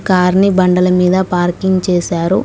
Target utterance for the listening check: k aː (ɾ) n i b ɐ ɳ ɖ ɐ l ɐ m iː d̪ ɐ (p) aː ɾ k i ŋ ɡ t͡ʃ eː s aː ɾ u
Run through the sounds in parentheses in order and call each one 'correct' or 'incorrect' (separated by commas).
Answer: correct, correct